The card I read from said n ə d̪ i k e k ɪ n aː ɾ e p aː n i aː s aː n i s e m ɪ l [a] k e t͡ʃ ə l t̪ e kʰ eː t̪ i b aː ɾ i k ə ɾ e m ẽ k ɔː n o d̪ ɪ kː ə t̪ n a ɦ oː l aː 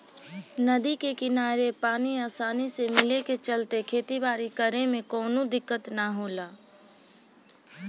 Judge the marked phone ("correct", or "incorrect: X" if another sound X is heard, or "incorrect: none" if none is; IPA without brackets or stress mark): incorrect: e